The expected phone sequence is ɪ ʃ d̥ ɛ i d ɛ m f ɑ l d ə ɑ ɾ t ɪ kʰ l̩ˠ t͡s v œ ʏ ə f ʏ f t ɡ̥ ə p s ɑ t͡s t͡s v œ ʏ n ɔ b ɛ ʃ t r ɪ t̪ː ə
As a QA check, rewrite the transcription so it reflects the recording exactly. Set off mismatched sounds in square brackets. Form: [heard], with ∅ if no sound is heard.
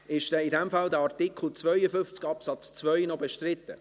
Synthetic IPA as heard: ɪ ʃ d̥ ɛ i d ɛ m f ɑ l d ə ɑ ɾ t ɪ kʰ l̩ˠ t͡s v œ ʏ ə f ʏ f [t͡s] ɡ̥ [ɑ] p s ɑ t͡s t͡s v œ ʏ n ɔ b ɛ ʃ t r ɪ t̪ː ə

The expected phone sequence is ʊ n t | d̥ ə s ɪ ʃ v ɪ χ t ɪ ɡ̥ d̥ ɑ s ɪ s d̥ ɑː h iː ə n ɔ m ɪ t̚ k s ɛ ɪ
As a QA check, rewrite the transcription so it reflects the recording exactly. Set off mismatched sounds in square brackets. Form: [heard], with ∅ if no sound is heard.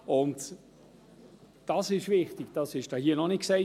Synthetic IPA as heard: ʊ n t | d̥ [ɑ] s ɪ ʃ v ɪ χ t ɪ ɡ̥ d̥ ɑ s ɪ [ʃ] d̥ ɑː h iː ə n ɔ [n] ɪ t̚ k s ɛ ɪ

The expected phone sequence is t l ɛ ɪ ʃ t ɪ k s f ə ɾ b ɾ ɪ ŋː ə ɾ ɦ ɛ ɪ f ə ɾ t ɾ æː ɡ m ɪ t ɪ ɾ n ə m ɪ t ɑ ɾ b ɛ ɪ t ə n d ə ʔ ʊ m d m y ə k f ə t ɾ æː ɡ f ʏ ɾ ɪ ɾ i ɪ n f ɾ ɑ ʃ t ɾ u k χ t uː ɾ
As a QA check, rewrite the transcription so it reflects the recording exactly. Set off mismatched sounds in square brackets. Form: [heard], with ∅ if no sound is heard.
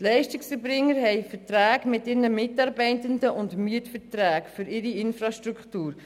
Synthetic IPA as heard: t l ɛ ɪ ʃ t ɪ k s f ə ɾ b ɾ ɪ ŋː ə ɾ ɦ ɛ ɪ f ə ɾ t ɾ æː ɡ m ɪ t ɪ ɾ n ə m ɪ t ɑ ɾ b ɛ ɪ t ə n d ə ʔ ʊ [n] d m y ə [t] f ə t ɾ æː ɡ f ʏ ɾ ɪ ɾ i ɪ n f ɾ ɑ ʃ t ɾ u k χ t uː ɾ

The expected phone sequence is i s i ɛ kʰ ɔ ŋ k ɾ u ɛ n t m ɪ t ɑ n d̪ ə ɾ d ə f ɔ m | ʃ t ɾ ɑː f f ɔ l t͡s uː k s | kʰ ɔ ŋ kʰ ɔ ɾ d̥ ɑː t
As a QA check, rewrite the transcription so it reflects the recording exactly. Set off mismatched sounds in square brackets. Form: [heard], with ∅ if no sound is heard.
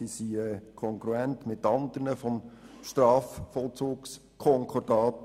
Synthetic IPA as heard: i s i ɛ kʰ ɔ ŋ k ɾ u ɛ n t m ɪ t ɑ n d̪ ə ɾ [n] ə f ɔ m | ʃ t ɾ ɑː f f ɔ l t͡s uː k s | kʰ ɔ ŋ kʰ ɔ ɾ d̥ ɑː t

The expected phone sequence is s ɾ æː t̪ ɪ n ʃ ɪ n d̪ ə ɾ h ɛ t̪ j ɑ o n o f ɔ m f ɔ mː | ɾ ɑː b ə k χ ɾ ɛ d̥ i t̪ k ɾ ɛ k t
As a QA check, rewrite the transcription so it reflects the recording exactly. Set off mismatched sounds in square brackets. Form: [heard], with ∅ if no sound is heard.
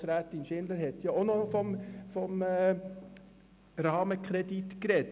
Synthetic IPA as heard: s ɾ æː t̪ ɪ n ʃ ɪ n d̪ ə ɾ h ɛ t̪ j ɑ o n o f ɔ m f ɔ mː | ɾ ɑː [m] ə k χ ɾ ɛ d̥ i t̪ k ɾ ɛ [∅] t

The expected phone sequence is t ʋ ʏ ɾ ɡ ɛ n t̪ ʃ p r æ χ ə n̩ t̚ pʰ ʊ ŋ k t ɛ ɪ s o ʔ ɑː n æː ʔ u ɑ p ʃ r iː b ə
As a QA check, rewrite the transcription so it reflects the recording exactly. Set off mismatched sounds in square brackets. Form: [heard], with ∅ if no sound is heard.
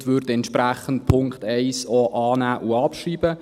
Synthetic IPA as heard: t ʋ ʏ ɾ [d] ɛ n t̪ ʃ p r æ χ ə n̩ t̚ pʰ ʊ ŋ k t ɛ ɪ s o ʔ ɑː n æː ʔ u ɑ p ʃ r iː b ə

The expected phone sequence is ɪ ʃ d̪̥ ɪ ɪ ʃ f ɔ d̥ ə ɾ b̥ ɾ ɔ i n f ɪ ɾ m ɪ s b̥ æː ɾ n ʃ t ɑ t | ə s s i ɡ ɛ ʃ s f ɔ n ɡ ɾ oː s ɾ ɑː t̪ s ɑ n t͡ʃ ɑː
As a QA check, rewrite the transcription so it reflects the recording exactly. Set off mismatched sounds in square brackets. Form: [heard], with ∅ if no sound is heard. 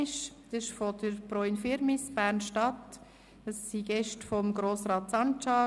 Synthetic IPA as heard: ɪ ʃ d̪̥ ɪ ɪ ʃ f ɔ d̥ ə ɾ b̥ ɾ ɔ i n f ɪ ɾ m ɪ s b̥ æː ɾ n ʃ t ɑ t | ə s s i ɡ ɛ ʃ [t] f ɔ [m] ɡ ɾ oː s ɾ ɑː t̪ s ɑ n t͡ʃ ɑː

